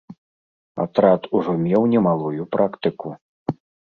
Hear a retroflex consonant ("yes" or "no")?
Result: yes